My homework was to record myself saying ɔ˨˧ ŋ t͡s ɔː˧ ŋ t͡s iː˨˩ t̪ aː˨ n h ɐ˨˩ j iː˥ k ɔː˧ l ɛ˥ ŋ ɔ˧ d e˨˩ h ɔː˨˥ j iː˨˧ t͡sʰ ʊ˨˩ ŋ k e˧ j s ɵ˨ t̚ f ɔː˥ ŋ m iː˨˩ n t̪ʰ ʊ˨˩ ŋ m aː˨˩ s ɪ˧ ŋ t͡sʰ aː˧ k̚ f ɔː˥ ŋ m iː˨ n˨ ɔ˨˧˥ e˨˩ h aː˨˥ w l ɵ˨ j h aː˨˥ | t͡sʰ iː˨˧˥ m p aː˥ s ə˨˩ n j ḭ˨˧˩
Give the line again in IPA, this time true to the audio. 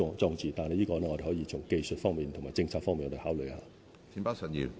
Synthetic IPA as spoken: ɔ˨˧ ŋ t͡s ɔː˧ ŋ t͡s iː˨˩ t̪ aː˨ n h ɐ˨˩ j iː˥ k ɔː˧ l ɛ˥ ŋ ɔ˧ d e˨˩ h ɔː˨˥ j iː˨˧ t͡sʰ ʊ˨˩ ŋ k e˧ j s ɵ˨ t̚ f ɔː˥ ŋ m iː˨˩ n t̪ʰ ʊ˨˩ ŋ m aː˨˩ t͡s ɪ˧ ŋ t͡sʰ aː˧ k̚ f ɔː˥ ŋ m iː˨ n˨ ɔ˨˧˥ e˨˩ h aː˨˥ w l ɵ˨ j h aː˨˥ | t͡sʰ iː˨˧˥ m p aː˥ s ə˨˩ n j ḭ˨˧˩

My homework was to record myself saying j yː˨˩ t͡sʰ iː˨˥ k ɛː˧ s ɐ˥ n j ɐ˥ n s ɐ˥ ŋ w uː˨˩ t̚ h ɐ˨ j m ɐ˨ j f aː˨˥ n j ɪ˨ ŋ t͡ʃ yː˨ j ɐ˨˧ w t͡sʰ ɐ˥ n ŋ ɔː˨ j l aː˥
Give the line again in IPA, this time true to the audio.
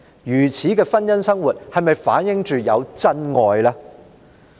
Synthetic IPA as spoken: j yː˨˩ t͡sʰ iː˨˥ k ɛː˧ f ɐ˥ n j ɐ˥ n s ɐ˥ ŋ w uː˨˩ t̚ h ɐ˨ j m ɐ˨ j f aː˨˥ n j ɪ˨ ŋ t͡ʃ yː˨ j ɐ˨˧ w t͡s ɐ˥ n ŋ ɔː˨ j l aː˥

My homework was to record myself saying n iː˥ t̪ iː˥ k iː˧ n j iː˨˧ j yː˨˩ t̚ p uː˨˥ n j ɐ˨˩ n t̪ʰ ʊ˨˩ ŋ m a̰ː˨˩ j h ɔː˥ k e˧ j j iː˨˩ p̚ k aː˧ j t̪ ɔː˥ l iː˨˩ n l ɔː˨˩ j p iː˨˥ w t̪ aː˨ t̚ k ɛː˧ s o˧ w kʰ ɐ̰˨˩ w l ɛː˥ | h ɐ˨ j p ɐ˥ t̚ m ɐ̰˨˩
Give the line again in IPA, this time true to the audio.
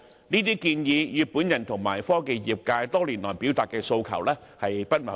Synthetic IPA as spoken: n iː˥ t̪ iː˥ k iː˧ n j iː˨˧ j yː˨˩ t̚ p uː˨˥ n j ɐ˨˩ n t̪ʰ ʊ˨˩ ŋ m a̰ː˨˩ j f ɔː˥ k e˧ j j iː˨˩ p̚ k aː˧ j t̪ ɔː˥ l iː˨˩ n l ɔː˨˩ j p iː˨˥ w t̪ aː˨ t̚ k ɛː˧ s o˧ w kʰ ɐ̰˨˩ w l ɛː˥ | h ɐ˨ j p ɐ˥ t̚ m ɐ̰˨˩

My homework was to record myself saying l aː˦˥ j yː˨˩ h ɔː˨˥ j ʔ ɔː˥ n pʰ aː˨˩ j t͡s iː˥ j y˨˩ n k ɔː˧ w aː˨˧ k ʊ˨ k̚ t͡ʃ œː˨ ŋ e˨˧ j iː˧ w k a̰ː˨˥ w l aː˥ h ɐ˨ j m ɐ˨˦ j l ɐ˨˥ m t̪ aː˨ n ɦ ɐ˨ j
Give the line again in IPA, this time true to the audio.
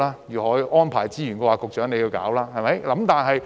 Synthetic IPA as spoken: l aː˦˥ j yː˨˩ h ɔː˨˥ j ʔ ɔː˥ n pʰ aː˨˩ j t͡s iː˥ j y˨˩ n k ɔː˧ w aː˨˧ k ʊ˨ k̚ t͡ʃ œː˨˥ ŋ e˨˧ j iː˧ w k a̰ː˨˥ w l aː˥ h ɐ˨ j m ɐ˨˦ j l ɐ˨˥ m t̪ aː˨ n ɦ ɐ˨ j

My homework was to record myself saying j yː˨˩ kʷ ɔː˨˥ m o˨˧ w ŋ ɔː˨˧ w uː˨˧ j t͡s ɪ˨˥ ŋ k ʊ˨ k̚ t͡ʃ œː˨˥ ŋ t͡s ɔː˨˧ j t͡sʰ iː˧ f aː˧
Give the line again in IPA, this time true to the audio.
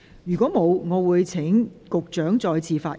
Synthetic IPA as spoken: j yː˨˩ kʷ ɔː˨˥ m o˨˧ w ŋ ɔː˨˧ w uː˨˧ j t͡sʰ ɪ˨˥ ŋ k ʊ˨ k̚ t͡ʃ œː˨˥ ŋ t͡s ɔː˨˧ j t͡sʰ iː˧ f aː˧

